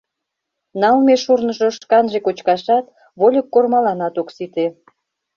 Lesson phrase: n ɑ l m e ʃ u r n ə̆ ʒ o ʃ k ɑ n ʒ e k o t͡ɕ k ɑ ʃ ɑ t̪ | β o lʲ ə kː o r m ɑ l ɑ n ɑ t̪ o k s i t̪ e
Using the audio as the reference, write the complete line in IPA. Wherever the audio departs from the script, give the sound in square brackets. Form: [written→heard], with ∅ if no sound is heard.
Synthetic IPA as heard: n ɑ l m e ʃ u r n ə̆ ʒ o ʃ k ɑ n ʒ e k o t͡ɕ k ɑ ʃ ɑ t̪ | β o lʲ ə kː o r m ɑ l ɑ n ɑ t̪ o k s i t̪ e